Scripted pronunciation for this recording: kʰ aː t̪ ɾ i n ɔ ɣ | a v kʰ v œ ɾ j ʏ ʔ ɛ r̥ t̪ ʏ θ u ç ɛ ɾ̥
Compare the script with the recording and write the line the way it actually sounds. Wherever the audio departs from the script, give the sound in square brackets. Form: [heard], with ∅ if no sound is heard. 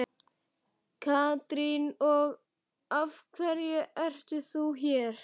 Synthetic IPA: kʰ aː t̪ ɾ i n ɔ ɣ | a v kʰ v [ɛ] ɾ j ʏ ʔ ɛ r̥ t̪ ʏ θ u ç ɛ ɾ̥

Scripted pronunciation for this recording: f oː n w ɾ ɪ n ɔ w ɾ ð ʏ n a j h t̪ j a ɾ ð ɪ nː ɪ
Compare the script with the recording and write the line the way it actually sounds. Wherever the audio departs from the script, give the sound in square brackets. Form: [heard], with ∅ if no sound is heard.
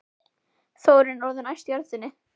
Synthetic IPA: [θ] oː [∅] w ɾ ɪ n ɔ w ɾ ð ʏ n a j [s] t̪ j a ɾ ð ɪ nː ɪ

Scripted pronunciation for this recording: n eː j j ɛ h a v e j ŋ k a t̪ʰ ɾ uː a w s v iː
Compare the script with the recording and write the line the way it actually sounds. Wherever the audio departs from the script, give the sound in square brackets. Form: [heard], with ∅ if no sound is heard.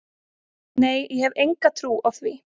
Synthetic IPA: n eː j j ɛ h [ɛ] v e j ŋ k a t̪ʰ ɾ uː a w [θ] v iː

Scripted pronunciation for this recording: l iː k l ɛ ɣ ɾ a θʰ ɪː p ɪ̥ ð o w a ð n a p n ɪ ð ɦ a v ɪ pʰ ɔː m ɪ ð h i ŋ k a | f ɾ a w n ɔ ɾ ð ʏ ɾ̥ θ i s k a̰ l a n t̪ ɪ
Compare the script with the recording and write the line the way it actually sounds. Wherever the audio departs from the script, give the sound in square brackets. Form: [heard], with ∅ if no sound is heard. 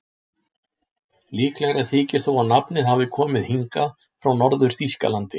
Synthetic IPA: l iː k l ɛ ɣ ɾ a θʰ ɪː [c] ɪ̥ [θ] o w a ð n a p n ɪ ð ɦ a v ɪ [kʰ] ɔː m ɪ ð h i ŋ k a | f ɾ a w n ɔ ɾ ð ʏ ɾ̥ θ i s k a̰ l a n t̪ ɪ

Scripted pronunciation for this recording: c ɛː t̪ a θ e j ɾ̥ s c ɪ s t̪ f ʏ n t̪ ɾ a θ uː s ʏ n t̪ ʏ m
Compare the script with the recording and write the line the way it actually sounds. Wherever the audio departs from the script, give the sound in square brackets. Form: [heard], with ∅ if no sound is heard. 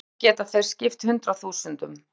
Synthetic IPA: c ɛː t̪ a θ e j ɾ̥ s c ɪ [f] t̪ [h] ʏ n t̪ ɾ a θ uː s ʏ n t̪ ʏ m

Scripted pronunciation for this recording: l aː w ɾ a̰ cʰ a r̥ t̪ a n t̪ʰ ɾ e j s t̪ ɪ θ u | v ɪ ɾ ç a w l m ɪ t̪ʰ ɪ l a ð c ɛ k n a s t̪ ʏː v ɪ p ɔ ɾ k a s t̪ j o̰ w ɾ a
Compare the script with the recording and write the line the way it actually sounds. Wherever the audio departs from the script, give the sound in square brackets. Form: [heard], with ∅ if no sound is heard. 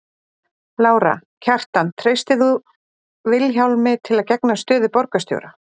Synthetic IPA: l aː w ɾ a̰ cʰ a r̥ t̪ a n t̪ʰ ɾ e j s t̪ ɪ θ u | v ɪ [l] ç a w l m ɪ t̪ʰ ɪ l a ð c ɛ k n a s t̪ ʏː [ð] ɪ p ɔ ɾ k a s t̪ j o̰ w ɾ a

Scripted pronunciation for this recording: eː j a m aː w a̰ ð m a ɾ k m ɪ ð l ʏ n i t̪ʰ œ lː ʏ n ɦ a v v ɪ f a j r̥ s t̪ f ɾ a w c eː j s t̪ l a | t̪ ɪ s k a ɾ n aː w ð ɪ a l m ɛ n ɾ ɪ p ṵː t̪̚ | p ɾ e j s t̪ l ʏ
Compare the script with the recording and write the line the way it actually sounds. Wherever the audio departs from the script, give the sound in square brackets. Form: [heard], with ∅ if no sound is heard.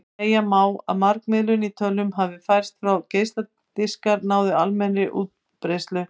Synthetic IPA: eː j a m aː w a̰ ð m a ɾ k m ɪ ð l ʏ n i t̪ʰ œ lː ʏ [m] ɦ a v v ɪ f a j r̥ s t̪ f ɾ a w c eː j s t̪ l a | t̪ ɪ s k a ɾ n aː w ð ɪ a l m ɛ n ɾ ɪ [ʔ] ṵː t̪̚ | p ɾ e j s t̪ l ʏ

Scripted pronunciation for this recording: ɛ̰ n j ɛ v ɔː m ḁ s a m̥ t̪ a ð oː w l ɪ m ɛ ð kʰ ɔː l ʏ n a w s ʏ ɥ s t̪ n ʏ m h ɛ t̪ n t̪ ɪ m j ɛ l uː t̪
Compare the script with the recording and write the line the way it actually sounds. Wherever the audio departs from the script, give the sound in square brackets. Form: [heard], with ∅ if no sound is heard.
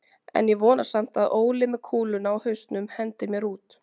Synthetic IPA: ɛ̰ n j ɛ v ɔː [n] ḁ s a m̥ t̪ a ð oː w l ɪ m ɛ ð kʰ [uː] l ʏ n a w [h] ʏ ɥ s t̪ n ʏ m h ɛ [∅] n t̪ ɪ m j ɛ [ɾ] uː t̪

